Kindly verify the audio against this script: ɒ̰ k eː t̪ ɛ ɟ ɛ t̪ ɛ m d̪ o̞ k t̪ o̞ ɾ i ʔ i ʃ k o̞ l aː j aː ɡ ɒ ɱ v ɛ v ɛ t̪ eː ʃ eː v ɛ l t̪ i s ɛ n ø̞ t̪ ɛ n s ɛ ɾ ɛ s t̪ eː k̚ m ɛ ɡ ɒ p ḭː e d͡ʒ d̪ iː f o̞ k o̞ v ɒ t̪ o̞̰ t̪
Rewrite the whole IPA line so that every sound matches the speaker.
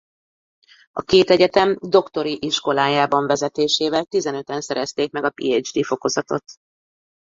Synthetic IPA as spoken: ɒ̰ k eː t̪ ɛ ɟ ɛ t̪ ɛ m d̪ o̞ k t̪ o̞ ɾ i ʔ i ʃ k o̞ l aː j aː b ɒ ɱ v ɛ z ɛ t̪ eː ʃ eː v ɛ l t̪ i z ɛ n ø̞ t̪ ɛ n s ɛ ɾ ɛ s t̪ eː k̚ m ɛ ɡ ɒ p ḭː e d͡ʒ d̪ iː f o̞ k o̞ z ɒ t̪ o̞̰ t̪